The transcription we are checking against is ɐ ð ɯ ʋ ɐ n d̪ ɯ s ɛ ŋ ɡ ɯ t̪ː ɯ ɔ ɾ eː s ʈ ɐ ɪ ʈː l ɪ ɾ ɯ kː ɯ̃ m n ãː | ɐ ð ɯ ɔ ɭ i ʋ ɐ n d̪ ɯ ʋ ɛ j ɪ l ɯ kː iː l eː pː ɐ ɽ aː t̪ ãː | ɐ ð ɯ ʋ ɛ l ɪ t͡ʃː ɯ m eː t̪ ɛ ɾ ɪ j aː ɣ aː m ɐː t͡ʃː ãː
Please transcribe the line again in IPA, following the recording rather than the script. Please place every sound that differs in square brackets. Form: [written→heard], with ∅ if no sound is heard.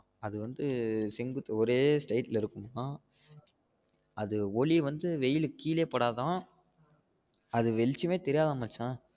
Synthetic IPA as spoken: ɐ ð ɯ ʋ ɐ n d̪ ɯ s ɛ ŋ ɡ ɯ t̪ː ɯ ɔ ɾ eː s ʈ ɐ ɪ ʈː l ɪ ɾ ɯ kː [ɯ̃→ɯ] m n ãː | ɐ ð ɯ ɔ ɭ i ʋ ɐ n d̪ ɯ ʋ ɛ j ɪ l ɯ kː iː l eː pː ɐ ɽ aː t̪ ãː | ɐ ð ɯ ʋ ɛ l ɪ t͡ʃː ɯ m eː t̪ ɛ ɾ ɪ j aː [ɣ→ð] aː m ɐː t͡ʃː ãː